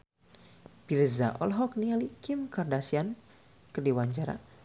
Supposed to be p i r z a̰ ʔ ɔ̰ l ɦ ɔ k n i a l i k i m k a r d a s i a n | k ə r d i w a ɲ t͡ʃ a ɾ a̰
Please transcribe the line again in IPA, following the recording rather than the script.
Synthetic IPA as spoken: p i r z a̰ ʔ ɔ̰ l ɦ ɔ k n i a l i k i m k a r d a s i a n | k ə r d i w a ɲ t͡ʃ a ɾ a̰

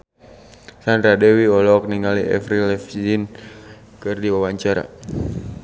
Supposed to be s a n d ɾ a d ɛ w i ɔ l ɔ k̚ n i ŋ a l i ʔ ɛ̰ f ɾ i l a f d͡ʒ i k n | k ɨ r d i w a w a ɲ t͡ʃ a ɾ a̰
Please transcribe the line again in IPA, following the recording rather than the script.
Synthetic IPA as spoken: s a n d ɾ a d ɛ w i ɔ l ɔ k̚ n i ŋ a l i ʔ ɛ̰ f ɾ i l ɛ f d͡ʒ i n | k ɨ r d i w a w a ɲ t͡ʃ a ɾ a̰

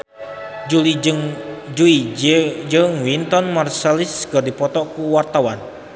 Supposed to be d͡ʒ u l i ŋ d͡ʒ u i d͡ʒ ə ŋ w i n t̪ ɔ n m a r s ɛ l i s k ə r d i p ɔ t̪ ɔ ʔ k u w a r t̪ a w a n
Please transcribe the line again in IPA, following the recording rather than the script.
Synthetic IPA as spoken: d͡ʒ u l i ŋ d͡ʒ u i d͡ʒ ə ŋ w i n t̪ ɔ n m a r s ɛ l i s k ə r d i p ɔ t̪ ɔ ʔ k u w a r t̪ a w a n

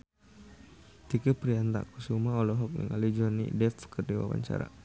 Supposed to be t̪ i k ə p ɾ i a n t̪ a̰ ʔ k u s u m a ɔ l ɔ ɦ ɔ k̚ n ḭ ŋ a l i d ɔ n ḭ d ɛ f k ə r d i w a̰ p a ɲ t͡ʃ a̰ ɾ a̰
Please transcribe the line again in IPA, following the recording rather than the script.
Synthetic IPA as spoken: t̪ i k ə p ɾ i a n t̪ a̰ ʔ k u s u m a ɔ l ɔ ɦ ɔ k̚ n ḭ ŋ a l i d͡ʒ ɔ n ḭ d ɛ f k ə r d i w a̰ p a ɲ t͡ʃ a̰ ɾ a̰

